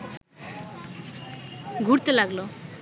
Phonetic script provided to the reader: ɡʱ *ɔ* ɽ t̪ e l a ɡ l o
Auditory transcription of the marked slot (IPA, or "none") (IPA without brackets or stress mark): u